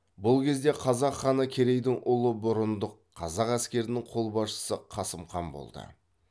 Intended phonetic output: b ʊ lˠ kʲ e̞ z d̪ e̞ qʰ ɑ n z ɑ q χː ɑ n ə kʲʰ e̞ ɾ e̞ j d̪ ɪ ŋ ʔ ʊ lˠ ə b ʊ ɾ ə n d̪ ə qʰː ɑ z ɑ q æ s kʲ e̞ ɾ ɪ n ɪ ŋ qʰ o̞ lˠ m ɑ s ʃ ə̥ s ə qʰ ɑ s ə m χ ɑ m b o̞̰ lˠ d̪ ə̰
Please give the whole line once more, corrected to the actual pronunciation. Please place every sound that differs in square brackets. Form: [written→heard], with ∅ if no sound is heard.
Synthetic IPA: b ʊ lˠ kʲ e̞ z d̪ e̞ qʰ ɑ [n→∅] z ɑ q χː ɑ n ə kʲʰ e̞ ɾ e̞ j d̪ ɪ ŋ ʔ ʊ lˠ ə b ʊ ɾ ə n d̪ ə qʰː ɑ z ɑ q æ s kʲ e̞ ɾ ɪ n ɪ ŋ qʰ o̞ lˠ [m→b] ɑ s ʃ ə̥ s ə qʰ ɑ s ə m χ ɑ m b o̞̰ lˠ d̪ ə̰